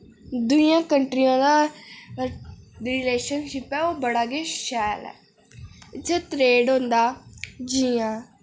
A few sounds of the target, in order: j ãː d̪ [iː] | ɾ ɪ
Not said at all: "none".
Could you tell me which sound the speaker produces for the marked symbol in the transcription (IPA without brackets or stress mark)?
aː